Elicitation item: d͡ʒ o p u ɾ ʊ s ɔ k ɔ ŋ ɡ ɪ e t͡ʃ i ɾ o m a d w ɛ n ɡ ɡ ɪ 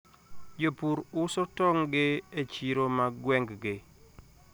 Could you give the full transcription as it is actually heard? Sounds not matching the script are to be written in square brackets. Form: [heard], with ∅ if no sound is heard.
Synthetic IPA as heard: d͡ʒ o p u ɾ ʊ s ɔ [t] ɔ ŋ ɡ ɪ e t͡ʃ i ɾ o m a [ɡ] w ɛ [ŋ] ɡ ɡ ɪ